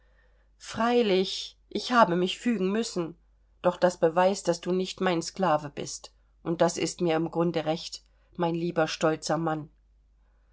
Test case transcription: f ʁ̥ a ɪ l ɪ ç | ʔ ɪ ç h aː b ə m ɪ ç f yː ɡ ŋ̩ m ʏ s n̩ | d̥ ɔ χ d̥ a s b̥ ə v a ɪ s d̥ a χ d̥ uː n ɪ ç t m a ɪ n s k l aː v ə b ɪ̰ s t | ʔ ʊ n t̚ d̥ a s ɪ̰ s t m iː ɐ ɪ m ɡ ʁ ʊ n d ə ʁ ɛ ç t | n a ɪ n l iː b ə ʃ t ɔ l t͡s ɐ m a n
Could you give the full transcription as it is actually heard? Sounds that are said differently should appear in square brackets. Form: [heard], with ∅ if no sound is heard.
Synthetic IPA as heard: f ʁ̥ a ɪ l ɪ ç | ʔ ɪ ç h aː b ə m ɪ ç f yː ɡ ŋ̩ m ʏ s n̩ | d̥ ɔ χ d̥ a s b̥ ə v a ɪ s d̥ a [s] d̥ uː n ɪ ç t m a ɪ n s k l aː v ə b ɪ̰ s t | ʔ ʊ n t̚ d̥ a s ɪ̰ s t m iː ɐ ɪ m ɡ ʁ ʊ n d ə ʁ ɛ ç t | [m] a ɪ n l iː b [ɐ] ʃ t ɔ l t͡s ɐ m a n